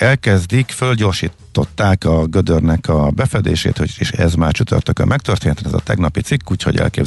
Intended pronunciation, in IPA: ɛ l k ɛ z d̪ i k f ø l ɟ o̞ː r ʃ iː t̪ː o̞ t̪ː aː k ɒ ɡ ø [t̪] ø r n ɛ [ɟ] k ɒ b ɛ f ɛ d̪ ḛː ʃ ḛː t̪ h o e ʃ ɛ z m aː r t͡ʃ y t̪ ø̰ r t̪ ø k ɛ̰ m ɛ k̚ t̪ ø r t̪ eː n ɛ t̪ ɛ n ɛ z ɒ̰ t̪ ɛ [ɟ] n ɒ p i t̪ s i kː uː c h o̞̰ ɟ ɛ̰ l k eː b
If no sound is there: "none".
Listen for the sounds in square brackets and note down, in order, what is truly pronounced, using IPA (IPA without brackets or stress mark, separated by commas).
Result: d̪, none, ɡ